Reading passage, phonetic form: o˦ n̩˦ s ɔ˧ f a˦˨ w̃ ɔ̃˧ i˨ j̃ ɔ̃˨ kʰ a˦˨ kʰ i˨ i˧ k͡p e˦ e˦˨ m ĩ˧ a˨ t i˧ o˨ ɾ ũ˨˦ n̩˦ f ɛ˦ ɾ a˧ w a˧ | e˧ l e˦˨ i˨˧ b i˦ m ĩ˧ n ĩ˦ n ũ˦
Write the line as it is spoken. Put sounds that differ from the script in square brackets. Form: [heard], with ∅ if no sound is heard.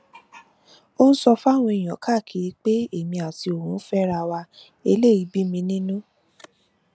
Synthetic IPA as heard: o˦ n̩˦ s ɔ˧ f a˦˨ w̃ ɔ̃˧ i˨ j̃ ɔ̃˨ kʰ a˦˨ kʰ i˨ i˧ k͡p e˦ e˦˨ m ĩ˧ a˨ t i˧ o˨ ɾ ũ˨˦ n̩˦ f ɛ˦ ɾ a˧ w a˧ | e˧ l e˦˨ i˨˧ b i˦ m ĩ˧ n ĩ˦ n ũ˦